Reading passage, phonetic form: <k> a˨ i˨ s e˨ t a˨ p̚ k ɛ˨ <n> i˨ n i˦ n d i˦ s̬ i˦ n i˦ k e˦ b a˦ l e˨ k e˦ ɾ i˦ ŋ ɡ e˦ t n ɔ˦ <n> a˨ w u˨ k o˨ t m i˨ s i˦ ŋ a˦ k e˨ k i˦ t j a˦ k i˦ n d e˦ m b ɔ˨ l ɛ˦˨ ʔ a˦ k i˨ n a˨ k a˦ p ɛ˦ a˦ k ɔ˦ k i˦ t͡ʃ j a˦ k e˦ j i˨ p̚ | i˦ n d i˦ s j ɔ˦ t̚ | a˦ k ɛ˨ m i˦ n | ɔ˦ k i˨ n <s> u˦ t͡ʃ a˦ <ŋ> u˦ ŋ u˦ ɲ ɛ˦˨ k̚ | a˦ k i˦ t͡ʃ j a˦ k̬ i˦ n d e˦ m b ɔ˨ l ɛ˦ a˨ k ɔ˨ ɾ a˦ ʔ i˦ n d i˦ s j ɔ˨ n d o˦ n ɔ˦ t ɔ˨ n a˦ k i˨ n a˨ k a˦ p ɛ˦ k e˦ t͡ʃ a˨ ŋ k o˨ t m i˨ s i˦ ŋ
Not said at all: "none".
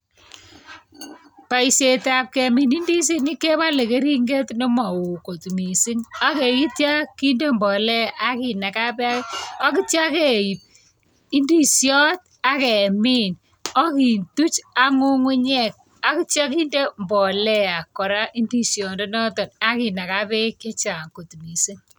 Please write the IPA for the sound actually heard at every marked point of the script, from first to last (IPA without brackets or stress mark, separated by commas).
p, m, m, t, ŋ